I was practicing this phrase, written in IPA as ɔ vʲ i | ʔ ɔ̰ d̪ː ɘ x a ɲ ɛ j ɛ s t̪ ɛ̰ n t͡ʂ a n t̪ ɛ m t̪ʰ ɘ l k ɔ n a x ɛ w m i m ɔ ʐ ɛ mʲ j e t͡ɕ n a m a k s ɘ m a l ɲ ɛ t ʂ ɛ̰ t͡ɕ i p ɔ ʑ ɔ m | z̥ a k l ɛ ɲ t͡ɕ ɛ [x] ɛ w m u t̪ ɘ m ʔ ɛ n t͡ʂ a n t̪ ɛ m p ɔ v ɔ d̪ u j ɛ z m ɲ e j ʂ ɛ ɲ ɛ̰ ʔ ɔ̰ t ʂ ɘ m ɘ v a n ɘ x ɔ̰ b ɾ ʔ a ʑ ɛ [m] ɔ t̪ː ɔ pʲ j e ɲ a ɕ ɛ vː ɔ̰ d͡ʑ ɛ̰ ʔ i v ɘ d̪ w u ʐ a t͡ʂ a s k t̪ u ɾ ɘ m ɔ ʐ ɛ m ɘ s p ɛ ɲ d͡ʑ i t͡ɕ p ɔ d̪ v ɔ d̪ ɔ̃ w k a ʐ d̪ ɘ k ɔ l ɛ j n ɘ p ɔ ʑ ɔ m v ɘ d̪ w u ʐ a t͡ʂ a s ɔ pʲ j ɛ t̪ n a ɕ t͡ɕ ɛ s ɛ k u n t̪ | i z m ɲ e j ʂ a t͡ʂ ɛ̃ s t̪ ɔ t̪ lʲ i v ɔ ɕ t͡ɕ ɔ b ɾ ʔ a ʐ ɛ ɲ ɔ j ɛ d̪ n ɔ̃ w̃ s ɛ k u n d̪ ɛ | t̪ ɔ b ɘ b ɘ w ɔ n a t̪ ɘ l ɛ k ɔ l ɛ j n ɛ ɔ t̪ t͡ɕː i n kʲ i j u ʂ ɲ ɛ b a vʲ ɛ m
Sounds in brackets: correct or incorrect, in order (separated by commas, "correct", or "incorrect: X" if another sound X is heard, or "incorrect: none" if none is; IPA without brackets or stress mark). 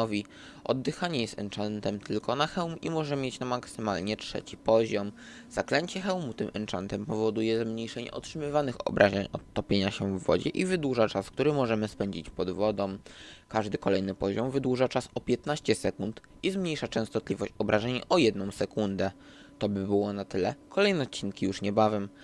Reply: correct, incorrect: ɲ